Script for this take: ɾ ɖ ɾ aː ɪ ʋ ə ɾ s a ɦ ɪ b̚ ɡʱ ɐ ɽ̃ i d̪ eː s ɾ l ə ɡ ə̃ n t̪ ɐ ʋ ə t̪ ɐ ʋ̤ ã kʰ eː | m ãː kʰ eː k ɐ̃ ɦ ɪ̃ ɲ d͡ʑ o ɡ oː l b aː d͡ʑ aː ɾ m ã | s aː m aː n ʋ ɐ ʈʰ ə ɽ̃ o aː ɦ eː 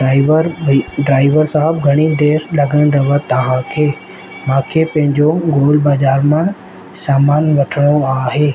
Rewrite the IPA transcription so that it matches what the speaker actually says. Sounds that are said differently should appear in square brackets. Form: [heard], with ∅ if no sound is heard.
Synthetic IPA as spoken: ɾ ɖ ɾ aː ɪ ʋ ə ɾ s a ɦ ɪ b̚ ɡʱ ɐ ɽ̃ i d̪ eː [∅] ɾ l [ɐ] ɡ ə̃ n [d̪] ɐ ʋ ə t̪ ɐ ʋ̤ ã kʰ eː | m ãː kʰ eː [p] ɐ̃ ɦ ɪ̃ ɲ d͡ʑ o ɡ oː l b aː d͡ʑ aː ɾ m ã | s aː m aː n ʋ ɐ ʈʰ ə ɽ̃ o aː ɦ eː